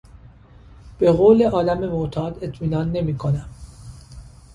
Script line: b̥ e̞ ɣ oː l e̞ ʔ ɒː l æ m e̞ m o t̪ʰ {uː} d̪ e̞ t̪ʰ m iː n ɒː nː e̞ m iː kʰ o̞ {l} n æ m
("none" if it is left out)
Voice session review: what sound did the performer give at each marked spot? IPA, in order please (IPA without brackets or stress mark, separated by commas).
ɒː, none